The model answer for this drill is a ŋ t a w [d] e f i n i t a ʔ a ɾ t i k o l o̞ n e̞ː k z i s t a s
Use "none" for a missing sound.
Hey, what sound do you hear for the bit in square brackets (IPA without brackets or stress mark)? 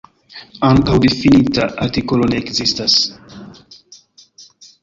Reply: d